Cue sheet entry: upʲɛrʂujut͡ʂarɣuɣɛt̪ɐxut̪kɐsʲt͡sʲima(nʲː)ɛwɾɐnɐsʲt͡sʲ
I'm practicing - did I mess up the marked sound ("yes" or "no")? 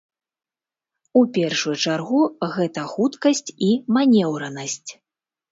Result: yes